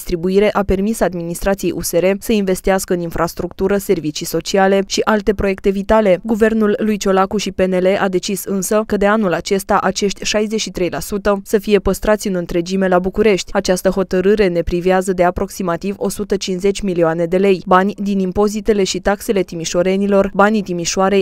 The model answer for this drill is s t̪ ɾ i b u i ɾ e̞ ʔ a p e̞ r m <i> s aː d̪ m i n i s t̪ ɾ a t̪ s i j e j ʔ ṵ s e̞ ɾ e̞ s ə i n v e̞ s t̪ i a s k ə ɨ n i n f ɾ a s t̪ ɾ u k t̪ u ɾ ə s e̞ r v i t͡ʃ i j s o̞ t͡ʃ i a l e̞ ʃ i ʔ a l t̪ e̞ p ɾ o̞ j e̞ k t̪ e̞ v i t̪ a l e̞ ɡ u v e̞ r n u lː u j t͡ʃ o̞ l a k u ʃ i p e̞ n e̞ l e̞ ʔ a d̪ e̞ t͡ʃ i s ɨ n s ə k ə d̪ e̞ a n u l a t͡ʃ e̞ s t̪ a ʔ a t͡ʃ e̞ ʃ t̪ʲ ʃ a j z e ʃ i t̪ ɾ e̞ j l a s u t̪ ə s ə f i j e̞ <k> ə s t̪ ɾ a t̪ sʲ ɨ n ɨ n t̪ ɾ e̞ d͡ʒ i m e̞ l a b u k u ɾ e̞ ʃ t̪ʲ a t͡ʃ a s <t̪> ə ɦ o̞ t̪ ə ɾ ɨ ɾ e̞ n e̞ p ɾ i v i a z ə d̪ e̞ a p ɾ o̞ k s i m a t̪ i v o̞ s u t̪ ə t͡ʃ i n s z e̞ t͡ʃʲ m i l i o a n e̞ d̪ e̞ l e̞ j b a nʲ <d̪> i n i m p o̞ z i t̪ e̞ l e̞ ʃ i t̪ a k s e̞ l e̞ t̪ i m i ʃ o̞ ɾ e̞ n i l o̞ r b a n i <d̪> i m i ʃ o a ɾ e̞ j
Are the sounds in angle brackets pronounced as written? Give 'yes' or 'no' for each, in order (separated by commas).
yes, no, yes, yes, no